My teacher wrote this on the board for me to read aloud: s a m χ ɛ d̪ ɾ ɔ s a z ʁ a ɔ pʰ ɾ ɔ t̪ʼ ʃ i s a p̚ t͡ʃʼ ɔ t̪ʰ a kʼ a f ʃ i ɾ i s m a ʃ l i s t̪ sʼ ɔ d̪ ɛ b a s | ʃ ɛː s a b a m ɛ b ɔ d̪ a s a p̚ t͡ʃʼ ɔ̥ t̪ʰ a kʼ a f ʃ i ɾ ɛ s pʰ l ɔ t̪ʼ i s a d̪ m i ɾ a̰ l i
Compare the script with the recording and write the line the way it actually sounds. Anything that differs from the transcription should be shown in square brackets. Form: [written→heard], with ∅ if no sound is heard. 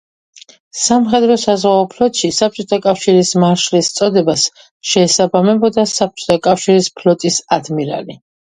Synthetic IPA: s a m χ ɛ d̪ ɾ ɔ s a z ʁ a ɔ pʰ [ɾ→l] ɔ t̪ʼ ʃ i s a p̚ t͡ʃʼ ɔ t̪ʰ a kʼ a f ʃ i ɾ i s m a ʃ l i s t̪ sʼ ɔ d̪ ɛ b a s | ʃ ɛː s a b a m ɛ b ɔ d̪ a s a p̚ t͡ʃʼ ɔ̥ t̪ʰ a kʼ a f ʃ i ɾ [ɛ→i] s pʰ l ɔ t̪ʼ i s a d̪ m i ɾ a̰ l i